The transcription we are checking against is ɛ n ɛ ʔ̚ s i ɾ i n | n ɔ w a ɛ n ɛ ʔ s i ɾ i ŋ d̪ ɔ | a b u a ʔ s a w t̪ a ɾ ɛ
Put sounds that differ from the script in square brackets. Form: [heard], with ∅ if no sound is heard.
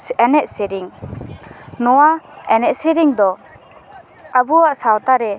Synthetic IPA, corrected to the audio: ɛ n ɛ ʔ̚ s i ɾ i [ŋ] | n ɔ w a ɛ n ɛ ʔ s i ɾ i ŋ d̪ ɔ | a b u a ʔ s a w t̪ a ɾ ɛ